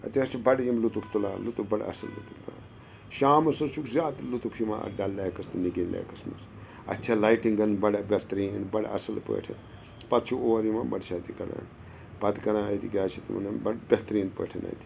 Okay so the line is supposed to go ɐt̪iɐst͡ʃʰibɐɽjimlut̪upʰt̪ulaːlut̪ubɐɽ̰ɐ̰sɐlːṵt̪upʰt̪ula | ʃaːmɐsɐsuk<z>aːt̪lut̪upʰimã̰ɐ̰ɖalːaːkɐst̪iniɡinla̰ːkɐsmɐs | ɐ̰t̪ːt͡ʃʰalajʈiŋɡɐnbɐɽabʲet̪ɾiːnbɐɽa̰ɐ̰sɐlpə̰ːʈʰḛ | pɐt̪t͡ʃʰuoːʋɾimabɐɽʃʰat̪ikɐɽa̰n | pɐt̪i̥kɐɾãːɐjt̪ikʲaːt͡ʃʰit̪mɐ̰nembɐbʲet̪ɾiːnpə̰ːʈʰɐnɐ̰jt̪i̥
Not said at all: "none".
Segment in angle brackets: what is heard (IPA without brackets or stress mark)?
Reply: z